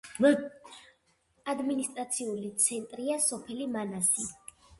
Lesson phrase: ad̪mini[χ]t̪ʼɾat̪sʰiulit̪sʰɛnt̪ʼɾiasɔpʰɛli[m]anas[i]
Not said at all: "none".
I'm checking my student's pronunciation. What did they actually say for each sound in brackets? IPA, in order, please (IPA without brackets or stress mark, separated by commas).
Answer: s, m, i